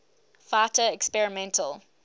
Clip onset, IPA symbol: f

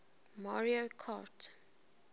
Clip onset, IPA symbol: m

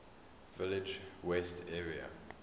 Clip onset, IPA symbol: v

